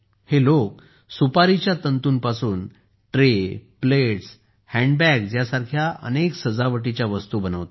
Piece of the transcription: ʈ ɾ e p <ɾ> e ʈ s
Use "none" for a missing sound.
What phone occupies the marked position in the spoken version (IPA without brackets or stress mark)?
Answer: l